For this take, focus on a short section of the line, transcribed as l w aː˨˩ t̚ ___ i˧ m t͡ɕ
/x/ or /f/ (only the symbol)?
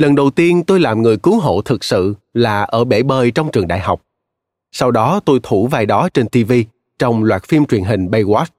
f